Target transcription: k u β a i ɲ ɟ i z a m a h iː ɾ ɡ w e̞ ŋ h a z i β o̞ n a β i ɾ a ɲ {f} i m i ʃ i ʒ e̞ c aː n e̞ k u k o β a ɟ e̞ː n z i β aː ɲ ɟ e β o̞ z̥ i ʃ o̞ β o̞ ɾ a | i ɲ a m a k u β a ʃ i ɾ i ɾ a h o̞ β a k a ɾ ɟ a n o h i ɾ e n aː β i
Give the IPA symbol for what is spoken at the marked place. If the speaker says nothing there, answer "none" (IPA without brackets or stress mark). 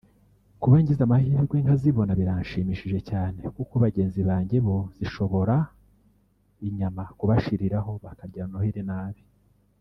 ʃ